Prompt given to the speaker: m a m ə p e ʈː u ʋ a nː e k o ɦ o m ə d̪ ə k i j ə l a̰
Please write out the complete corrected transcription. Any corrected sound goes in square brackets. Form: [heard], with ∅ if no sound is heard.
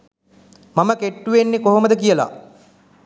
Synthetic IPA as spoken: m a m ə [k] e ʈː u ʋ [e] nː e k o ɦ o m ə d̪ ə k i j ə l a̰